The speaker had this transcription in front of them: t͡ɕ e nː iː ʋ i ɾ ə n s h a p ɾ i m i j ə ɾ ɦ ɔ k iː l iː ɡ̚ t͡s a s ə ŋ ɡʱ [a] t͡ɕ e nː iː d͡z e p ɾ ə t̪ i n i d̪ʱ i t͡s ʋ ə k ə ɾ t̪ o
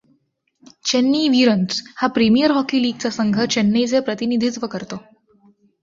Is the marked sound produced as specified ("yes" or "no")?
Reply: no